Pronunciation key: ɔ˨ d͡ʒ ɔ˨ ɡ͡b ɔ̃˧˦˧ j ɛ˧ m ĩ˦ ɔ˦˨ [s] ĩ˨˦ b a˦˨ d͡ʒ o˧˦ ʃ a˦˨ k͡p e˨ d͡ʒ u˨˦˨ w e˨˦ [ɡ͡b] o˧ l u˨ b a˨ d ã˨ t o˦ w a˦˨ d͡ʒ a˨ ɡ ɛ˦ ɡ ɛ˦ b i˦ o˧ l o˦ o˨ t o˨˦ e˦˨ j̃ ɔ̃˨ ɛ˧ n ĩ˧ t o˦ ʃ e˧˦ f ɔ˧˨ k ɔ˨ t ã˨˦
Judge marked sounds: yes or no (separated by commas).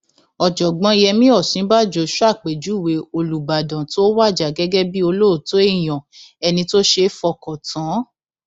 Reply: yes, no